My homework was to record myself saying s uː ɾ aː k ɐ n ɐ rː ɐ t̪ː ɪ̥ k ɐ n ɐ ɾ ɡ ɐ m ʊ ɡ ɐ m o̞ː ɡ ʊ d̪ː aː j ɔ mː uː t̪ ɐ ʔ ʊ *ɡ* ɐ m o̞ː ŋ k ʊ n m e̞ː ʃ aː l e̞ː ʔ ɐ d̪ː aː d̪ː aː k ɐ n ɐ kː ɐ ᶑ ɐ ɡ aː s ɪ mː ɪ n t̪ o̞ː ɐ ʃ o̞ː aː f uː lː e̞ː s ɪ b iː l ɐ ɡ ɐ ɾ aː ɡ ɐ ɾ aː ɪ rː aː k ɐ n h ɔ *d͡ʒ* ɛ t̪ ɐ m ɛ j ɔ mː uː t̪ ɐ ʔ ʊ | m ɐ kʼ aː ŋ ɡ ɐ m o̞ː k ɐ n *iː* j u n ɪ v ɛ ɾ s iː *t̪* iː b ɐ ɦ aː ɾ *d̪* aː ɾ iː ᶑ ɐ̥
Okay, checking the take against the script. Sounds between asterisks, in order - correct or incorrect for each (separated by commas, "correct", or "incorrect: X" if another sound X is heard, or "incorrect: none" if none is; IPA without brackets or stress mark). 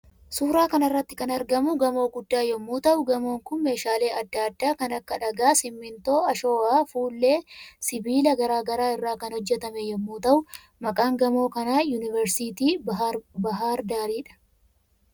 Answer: correct, incorrect: d͡ʒː, incorrect: aː, correct, correct